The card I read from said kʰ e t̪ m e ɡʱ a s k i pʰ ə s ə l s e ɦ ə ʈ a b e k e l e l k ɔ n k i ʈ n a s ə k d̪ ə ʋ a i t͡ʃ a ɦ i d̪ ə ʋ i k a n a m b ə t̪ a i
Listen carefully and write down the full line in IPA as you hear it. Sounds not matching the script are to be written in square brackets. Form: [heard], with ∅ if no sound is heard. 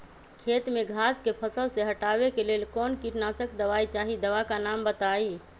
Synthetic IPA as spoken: kʰ e t̪ m e ɡʱ a s k [e] pʰ ə s ə l s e ɦ ə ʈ a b e k e l e l k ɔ n k i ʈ n a s ə k d̪ ə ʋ a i t͡ʃ a ɦ i d̪ ə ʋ [a] k a n a m b ə t̪ a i